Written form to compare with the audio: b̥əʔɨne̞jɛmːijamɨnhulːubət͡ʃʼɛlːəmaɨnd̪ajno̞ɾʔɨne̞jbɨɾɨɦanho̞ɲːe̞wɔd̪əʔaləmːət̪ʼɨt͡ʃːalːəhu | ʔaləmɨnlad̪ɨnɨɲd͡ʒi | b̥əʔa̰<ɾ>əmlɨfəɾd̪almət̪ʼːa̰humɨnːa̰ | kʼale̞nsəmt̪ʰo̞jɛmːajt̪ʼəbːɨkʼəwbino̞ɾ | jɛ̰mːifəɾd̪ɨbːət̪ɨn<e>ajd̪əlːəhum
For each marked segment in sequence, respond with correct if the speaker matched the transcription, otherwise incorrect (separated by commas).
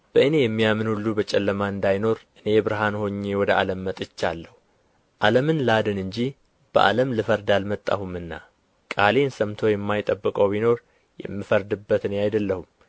incorrect, correct